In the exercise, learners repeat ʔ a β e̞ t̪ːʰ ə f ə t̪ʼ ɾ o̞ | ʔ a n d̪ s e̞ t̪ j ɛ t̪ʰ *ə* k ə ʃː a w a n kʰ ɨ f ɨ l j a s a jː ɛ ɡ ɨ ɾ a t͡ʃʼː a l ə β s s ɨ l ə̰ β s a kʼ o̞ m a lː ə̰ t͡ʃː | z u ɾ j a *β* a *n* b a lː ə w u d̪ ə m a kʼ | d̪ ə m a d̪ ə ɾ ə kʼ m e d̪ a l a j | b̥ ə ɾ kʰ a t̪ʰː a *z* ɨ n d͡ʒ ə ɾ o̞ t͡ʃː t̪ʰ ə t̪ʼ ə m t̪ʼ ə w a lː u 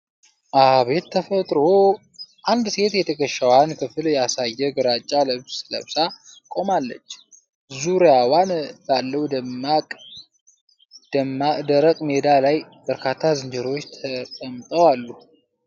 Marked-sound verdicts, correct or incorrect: correct, incorrect: w, correct, correct

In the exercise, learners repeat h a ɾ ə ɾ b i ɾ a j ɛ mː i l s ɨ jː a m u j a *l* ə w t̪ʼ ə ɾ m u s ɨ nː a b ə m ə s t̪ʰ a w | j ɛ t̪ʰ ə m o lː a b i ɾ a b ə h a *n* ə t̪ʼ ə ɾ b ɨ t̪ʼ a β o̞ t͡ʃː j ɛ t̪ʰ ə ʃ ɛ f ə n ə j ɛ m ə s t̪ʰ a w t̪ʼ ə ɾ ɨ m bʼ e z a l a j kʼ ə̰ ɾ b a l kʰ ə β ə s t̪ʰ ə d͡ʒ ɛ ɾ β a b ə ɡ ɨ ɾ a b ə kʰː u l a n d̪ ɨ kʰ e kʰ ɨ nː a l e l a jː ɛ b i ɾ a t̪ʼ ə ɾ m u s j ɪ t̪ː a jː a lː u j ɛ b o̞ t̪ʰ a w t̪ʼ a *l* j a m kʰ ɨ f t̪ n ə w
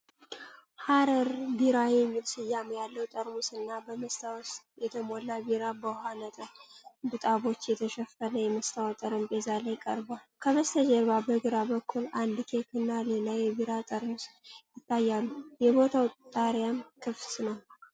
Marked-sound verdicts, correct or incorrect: incorrect: lː, correct, incorrect: ɾ

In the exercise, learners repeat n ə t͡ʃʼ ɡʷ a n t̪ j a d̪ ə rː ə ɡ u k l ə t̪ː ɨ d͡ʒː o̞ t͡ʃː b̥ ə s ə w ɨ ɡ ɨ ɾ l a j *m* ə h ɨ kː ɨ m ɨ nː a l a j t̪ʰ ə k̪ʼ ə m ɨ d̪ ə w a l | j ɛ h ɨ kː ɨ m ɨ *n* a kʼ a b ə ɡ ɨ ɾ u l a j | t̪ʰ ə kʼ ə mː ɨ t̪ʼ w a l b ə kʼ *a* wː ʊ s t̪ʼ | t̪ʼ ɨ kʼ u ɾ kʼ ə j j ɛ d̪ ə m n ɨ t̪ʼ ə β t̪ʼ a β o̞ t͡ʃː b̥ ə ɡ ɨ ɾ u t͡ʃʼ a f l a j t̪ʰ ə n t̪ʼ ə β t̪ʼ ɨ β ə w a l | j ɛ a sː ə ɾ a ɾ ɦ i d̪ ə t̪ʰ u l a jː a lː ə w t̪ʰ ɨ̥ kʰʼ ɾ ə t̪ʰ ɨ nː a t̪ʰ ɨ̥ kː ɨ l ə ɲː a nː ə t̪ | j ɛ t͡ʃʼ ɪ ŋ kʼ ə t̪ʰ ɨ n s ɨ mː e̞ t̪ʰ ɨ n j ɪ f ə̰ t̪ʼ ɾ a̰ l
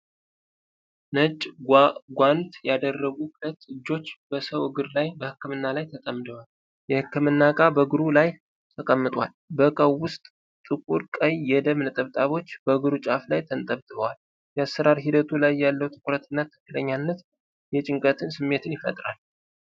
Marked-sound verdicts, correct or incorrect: incorrect: b, incorrect: nː, incorrect: ə

